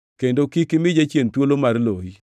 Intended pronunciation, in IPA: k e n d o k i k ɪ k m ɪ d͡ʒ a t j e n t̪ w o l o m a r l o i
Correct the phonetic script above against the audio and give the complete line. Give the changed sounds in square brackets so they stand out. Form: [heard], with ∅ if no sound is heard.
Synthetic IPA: k e n d o k i k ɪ [∅] m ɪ d͡ʒ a [t͡ʃ] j e n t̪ w o l o m a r l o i